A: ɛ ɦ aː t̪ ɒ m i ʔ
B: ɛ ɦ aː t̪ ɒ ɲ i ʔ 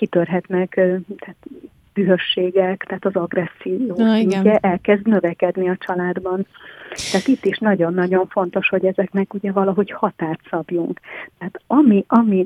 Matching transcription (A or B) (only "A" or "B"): A